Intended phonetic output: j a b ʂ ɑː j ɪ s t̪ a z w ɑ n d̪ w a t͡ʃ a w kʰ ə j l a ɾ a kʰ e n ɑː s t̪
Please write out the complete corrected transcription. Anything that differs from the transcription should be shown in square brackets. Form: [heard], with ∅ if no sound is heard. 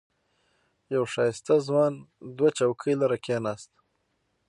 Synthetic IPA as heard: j a [w] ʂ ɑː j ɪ s t̪ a z w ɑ n d̪ w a t͡ʃ a w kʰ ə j l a ɾ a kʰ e n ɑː s t̪